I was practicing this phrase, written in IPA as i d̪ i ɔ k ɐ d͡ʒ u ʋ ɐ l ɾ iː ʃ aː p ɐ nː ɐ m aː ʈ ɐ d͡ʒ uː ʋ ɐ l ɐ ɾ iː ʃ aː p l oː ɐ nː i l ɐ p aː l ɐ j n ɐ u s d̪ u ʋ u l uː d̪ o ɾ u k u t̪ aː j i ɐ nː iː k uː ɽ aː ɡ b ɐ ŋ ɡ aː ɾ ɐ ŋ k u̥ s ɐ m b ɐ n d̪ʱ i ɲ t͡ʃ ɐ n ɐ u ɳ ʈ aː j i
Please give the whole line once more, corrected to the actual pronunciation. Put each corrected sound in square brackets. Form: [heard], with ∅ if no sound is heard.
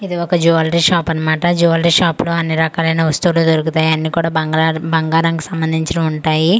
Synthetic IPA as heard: i d̪ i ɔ k ɐ d͡ʒ u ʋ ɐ l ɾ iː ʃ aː p ɐ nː ɐ m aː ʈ ɐ d͡ʒ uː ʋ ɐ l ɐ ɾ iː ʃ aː p l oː ɐ nː i [ɾ] ɐ [k] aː l ɐ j n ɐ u s [t̪] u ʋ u l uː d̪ o ɾ u k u t̪ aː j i ɐ nː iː k uː ɽ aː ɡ b ɐ ŋ ɡ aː ɾ ɐ ŋ k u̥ s ɐ m b ɐ n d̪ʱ i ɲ t͡ʃ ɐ n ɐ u ɳ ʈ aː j i

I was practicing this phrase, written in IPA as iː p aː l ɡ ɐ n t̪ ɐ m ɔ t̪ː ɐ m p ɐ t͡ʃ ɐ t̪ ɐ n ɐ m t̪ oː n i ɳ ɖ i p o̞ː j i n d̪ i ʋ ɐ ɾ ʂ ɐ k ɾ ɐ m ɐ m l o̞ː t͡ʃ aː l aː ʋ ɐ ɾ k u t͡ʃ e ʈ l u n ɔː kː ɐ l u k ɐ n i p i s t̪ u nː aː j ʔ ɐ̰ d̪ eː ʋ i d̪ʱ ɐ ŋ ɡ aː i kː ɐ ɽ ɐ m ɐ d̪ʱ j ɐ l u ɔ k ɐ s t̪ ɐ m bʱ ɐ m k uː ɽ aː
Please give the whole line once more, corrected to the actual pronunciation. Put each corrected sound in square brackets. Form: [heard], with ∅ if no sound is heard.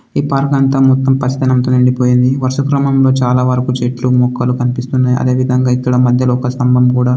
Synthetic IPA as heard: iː p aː [ɾ] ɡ ɐ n t̪ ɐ m ɔ t̪ː ɐ m p ɐ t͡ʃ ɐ t̪ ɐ n ɐ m t̪ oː n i ɳ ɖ i p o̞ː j i n d̪ i ʋ ɐ ɾ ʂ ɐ k ɾ ɐ m ɐ m l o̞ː t͡ʃ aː l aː ʋ ɐ ɾ k u t͡ʃ e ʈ l u [m] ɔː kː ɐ l u k ɐ n i p i s t̪ u nː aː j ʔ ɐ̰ d̪ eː ʋ i d̪ʱ ɐ ŋ ɡ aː i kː ɐ ɽ ɐ m ɐ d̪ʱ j ɐ l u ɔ k ɐ s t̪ ɐ m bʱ ɐ m k uː ɽ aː

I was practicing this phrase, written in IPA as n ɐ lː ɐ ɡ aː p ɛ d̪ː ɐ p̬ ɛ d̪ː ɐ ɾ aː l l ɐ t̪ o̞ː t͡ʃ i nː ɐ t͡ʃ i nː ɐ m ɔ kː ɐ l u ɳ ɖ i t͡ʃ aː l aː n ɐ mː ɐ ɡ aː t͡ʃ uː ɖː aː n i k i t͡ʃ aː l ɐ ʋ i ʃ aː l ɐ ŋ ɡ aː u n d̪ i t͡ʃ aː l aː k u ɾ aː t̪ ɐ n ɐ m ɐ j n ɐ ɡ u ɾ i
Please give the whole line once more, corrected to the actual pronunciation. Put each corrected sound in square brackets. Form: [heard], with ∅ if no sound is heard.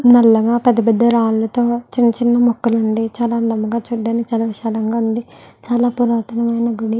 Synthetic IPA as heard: n ɐ lː ɐ ɡ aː p ɛ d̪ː ɐ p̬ ɛ d̪ː ɐ ɾ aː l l ɐ t̪ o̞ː t͡ʃ i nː ɐ t͡ʃ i nː ɐ m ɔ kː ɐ l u ɳ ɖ i t͡ʃ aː l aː n ɐ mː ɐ ɡ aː t͡ʃ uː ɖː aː n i k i t͡ʃ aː l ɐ ʋ i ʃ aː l ɐ ŋ ɡ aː u n d̪ i t͡ʃ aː l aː [p] u ɾ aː t̪ ɐ n ɐ m ɐ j n ɐ ɡ u [ɽ] i

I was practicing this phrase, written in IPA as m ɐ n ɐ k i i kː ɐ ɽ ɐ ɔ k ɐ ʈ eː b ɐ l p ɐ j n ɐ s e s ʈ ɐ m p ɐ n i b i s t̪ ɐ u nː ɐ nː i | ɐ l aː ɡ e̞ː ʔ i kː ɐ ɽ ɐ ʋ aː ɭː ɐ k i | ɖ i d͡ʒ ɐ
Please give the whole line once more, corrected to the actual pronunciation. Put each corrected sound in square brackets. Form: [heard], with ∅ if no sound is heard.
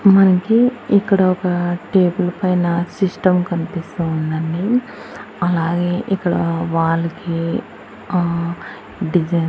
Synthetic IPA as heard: m ɐ n ɐ k i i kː ɐ ɽ ɐ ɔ k ɐ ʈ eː b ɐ l p ɐ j n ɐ s [i] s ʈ ɐ m [k] ɐ n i [p] i s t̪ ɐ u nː ɐ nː i | ɐ l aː ɡ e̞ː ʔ i kː ɐ ɽ ɐ ʋ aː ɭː ɐ k i | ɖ i d͡ʒ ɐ

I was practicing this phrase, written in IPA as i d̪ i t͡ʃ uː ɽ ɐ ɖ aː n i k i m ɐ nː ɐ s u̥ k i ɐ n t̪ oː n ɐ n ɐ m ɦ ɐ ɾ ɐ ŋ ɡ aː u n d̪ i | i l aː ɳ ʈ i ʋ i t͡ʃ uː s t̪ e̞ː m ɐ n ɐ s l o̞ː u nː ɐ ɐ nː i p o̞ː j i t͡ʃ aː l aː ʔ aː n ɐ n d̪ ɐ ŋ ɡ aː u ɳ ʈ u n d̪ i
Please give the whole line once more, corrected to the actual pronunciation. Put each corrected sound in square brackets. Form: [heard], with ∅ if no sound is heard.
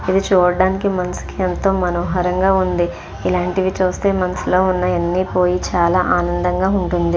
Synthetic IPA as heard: i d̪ i t͡ʃ uː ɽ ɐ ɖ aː n i k i m ɐ [n] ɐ s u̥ k i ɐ n t̪ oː [m] ɐ n ɐ m ɦ ɐ ɾ ɐ ŋ ɡ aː u n d̪ i | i l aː ɳ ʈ i ʋ i t͡ʃ uː s t̪ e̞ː m ɐ n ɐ s l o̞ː u nː ɐ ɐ nː i p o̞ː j i t͡ʃ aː l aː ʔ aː n ɐ n d̪ ɐ ŋ ɡ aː u ɳ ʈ u n d̪ i

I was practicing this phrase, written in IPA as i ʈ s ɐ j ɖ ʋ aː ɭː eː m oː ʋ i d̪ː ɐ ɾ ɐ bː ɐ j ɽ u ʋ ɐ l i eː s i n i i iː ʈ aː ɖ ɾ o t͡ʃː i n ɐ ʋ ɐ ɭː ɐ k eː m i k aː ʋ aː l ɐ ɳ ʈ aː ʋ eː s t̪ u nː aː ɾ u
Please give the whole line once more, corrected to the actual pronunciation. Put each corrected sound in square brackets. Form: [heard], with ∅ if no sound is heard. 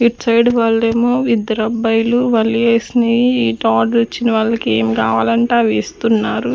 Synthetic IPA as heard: i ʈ s ɐ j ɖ ʋ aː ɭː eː m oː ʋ i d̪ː ɐ ɾ ɐ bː ɐ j [l] u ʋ ɐ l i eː s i n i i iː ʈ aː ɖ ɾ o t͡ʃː i n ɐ ʋ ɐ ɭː ɐ k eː m i k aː ʋ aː l ɐ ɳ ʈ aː ʋ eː s t̪ u nː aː ɾ u

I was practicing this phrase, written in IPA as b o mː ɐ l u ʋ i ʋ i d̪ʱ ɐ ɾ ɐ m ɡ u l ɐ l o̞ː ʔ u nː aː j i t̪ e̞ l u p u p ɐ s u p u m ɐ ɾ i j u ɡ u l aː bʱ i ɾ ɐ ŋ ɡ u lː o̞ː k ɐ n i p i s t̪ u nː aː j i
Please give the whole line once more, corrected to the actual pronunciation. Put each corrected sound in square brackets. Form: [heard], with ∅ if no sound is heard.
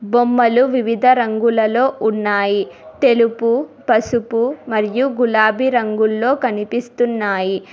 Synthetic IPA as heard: b o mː ɐ l u ʋ i ʋ i d̪ʱ ɐ ɾ ɐ [ŋ] ɡ u l ɐ l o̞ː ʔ u nː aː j i t̪ e̞ l u p u p ɐ s u p u m ɐ ɾ i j u ɡ u l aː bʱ i ɾ ɐ ŋ ɡ u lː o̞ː k ɐ n i p i s t̪ u nː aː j i

